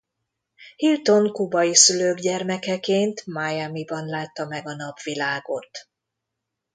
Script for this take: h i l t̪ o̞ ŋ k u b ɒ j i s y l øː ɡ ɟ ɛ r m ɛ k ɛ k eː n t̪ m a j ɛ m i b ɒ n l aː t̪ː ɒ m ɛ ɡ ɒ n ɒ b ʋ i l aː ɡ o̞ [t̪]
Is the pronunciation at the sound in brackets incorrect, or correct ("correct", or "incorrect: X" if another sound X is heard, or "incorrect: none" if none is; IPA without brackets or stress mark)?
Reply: correct